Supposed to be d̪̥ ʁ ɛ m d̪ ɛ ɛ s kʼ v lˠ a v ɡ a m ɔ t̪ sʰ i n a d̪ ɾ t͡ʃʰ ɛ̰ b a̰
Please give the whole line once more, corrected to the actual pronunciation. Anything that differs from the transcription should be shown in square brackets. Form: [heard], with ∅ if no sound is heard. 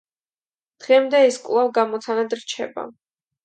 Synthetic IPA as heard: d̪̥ ʁ ɛ m d̪ ɛ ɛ s kʼ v lˠ a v ɡ a m ɔ t̪ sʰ [a] n a d̪ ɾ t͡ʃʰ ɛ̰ b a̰